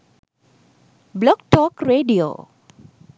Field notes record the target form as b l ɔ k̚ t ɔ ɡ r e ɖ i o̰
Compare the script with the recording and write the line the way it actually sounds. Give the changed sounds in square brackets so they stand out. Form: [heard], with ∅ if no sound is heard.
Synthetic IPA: b l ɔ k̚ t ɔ [k] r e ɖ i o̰